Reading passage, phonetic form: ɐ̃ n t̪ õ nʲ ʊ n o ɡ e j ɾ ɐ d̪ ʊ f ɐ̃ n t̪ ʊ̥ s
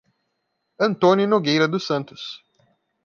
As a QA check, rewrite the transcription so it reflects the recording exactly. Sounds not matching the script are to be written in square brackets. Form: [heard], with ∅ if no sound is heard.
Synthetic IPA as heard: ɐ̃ n t̪ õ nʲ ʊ n o ɡ e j ɾ ɐ d̪ ʊ [s] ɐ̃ n t̪ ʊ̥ s